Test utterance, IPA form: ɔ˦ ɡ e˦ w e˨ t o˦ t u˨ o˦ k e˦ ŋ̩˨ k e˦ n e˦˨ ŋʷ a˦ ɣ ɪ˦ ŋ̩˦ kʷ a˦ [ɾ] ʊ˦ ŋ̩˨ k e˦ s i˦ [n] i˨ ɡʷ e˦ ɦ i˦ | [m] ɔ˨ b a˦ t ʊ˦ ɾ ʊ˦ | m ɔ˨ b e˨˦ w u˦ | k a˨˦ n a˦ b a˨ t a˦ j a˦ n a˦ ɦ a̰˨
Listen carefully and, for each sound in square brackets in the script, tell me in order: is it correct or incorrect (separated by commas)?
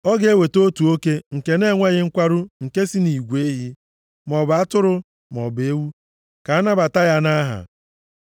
correct, correct, correct